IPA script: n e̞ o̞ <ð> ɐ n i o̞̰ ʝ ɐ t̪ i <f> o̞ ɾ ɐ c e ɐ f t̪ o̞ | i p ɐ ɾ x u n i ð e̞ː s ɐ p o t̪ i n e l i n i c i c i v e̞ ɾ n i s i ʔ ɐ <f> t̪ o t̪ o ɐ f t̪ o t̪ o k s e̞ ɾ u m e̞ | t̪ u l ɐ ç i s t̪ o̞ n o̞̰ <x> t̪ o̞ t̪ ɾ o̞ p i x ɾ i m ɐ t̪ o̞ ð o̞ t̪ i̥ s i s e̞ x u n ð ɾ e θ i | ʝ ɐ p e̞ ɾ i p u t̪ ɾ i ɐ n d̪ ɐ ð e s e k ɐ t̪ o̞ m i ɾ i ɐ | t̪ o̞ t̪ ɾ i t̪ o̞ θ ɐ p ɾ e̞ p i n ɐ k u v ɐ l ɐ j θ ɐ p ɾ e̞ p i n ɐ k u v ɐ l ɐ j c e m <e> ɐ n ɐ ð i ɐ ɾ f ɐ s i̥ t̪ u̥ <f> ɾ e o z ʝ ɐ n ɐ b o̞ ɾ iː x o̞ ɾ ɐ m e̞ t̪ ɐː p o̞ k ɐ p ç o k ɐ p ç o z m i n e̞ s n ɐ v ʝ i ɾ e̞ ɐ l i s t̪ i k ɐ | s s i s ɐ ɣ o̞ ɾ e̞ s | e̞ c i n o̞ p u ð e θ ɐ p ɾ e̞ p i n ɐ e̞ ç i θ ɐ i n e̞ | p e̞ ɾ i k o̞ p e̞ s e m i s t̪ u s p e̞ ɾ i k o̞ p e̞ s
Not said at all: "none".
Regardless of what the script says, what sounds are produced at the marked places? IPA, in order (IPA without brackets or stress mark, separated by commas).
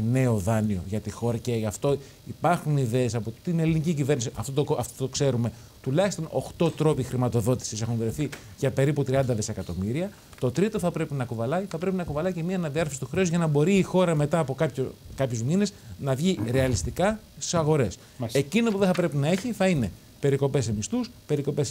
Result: ð, x, f, x, i, x